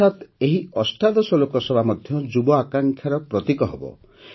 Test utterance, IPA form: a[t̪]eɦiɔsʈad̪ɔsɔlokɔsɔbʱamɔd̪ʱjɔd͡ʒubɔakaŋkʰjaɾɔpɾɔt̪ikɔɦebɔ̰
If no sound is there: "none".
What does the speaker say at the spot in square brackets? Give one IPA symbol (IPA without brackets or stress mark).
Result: t̪